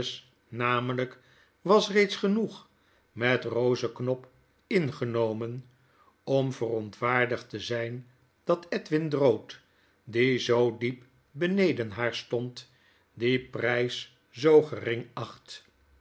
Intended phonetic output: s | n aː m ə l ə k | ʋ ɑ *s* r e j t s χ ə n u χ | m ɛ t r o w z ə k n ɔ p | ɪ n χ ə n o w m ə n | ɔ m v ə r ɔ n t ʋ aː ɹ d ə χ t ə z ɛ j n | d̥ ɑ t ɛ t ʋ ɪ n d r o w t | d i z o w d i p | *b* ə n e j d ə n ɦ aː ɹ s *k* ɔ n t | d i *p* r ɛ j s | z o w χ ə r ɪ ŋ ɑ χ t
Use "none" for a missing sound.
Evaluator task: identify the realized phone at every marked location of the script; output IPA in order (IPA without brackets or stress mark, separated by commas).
s, b, t, p